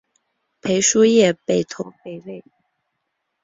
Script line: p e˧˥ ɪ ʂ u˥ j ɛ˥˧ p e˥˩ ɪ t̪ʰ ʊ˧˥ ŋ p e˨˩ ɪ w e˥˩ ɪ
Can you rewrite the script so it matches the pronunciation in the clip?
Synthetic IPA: pʰ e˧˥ ɪ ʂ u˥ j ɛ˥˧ p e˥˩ ɪ t̪ʰ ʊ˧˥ ŋ p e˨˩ ɪ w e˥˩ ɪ

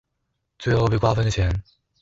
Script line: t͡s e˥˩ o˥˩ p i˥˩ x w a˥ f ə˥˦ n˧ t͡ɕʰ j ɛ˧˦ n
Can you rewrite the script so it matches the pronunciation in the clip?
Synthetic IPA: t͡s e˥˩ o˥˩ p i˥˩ k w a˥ f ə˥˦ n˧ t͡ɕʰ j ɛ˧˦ n

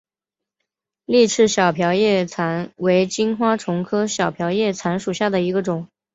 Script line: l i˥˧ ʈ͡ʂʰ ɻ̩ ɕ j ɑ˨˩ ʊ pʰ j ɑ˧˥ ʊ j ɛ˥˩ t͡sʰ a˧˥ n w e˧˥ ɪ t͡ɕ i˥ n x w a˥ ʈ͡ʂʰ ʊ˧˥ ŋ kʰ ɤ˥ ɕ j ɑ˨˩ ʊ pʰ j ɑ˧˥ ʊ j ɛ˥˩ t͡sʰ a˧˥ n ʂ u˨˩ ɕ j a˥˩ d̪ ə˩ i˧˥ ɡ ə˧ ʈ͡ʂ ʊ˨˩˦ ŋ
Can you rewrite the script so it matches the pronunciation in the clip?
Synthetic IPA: l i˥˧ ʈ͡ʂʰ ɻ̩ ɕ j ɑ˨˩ ʊ pʰ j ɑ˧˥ ʊ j ɛ˥˩ t͡sʰ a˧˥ n w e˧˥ ɪ t͡ɕ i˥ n x w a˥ ʈ͡ʂʰ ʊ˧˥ ŋ kʰ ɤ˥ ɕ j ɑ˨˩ ʊ pʰ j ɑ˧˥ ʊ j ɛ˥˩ t͡sʰ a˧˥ n ʂ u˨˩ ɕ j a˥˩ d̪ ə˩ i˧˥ ɡ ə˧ ʈ͡ʂ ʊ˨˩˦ ŋ

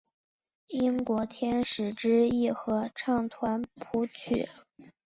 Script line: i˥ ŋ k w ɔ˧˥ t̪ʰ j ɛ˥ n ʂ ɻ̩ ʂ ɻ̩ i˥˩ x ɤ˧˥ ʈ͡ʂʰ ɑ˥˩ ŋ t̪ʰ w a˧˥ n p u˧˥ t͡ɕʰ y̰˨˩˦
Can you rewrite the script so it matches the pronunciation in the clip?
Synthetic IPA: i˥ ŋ k w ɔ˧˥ t̪ʰ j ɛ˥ n ʂ ɻ̩ ʈ͡ʂ ɻ̩ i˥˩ x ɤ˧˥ ʈ͡ʂʰ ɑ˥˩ ŋ t̪ʰ w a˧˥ n pʰ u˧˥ t͡ɕʰ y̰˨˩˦

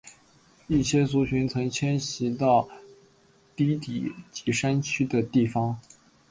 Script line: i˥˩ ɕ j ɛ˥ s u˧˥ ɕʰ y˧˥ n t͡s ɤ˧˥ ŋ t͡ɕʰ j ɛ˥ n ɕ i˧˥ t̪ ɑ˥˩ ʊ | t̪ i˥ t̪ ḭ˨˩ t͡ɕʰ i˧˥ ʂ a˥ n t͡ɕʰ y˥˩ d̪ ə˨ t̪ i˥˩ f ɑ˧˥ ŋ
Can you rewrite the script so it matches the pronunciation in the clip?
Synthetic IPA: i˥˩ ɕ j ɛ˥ s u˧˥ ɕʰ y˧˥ n t͡sʰ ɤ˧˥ ŋ t͡ɕʰ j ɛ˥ n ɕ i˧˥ t̪ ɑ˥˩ ʊ | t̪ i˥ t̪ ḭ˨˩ t͡ɕ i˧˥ ʂ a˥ n t͡ɕʰ y˥ d̪ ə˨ t̪ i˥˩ f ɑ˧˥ ŋ

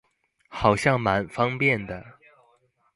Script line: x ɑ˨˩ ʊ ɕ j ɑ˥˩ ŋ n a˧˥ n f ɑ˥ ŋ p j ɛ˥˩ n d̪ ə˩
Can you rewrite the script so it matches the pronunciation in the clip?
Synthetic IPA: x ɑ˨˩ ʊ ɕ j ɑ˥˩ ŋ m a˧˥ n f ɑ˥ ŋ p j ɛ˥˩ n d̪ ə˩

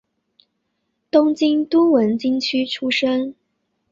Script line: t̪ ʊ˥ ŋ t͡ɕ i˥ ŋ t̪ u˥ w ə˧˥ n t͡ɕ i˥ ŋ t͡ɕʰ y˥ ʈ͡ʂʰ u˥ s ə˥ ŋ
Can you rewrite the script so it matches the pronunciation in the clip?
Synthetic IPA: t̪ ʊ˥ ŋ t͡ɕ i˥ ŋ t̪ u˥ w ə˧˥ n t͡ɕ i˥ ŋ t͡ɕʰ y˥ ʈ͡ʂʰ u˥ ʂ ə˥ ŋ

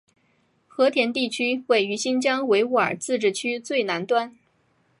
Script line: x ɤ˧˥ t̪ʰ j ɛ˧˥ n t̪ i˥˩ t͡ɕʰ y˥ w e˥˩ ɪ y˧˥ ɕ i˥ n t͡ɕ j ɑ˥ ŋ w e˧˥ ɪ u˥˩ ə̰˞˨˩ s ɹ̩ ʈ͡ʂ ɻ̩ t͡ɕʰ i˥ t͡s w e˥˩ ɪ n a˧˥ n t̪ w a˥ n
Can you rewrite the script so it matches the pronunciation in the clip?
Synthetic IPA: x ɤ˧˥ t̪ʰ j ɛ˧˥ n t̪ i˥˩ t͡ɕʰ y˥ w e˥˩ ɪ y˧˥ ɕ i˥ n t͡ɕ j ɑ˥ ŋ w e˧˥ ɪ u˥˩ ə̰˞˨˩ t͡s ɹ̩ ʈ͡ʂ ɻ̩ t͡ɕʰ y˥ t͡s w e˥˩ ɪ n a˧˥ n t̪ w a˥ n

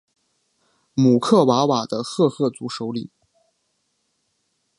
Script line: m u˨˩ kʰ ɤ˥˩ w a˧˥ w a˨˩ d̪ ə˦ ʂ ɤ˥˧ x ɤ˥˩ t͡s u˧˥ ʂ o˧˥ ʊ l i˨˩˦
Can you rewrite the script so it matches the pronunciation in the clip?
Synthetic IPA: m u˨˩ kʰ ɤ˥˩ w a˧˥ w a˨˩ d̪ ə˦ x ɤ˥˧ x ɤ˥˩ t͡s u˧˥ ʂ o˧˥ ʊ l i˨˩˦

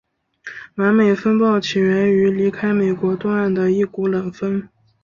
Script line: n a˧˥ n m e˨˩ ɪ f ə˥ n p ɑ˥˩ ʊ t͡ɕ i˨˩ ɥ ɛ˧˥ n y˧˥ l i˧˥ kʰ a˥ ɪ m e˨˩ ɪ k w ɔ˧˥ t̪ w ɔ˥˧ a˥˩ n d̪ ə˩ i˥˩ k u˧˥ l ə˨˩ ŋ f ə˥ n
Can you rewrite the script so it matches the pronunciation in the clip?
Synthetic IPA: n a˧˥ n m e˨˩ ɪ f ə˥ n p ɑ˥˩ ʊ t͡ɕʰ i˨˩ ɥ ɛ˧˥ n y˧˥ l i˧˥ kʰ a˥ ɪ m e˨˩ ɪ k w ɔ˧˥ t̪ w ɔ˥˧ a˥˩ n d̪ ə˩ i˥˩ k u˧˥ l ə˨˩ ŋ f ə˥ n

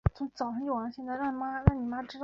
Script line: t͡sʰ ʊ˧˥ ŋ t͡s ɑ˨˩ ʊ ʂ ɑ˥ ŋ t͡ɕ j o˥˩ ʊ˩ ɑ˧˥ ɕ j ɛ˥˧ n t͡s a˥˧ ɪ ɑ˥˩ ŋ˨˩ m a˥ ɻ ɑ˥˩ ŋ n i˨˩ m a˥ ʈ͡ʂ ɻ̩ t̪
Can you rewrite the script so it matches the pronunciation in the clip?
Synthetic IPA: t͡sʰ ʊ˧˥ ŋ t͡s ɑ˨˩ ʊ ʂ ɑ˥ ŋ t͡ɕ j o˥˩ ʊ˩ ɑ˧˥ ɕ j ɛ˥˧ n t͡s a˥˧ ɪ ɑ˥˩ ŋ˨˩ m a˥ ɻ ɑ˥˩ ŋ n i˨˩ m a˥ ʈ͡ʂ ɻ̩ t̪

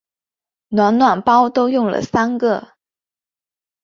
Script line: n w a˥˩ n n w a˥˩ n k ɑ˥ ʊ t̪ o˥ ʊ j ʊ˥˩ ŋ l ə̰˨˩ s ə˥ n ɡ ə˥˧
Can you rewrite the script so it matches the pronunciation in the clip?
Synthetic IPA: n w a˧˥ n n w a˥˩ n p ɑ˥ ʊ t̪ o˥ ʊ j ʊ˥˩ ŋ l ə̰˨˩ s a˥ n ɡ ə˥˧

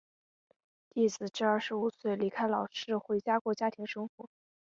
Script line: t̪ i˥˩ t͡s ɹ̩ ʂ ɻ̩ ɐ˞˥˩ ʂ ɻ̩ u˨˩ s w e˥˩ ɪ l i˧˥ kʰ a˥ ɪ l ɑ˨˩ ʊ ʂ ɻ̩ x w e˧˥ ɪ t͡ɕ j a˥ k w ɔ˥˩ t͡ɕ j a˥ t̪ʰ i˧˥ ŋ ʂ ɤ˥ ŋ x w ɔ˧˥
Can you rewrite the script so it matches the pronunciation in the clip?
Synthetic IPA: t̪ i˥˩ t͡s ɹ̩ ʈ͡ʂ ɻ̩ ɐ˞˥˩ ʂ ɻ̩ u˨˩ s w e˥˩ ɪ l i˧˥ kʰ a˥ ɪ l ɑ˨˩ ʊ ʂ ɻ̩ x w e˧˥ ɪ t͡ɕ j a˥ k w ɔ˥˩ t͡ɕ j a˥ t̪ʰ i˧˥ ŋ ʂ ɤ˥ ŋ x w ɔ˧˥

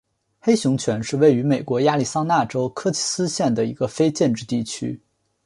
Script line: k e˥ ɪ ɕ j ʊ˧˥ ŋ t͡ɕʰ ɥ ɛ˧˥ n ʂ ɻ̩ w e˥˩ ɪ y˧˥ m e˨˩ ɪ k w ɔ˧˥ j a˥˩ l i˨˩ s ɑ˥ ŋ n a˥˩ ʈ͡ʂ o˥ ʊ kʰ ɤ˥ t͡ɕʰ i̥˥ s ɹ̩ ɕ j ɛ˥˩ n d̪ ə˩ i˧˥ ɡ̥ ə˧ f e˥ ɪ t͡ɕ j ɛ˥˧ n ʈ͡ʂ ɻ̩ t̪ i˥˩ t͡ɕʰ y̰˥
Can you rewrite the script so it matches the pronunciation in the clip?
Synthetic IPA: x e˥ ɪ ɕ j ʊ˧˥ ŋ t͡ɕʰ ɥ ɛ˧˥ n ʂ ɻ̩ w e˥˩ ɪ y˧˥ m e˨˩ ɪ k w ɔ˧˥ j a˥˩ l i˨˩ s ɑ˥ ŋ n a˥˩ ʈ͡ʂ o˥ ʊ kʰ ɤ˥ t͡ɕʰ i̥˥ s ɹ̩ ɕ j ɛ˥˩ n d̪ ə˩ i˧˥ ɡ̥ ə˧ f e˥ ɪ t͡ɕ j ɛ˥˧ n ʈ͡ʂ ɻ̩ t̪ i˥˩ t͡ɕʰ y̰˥

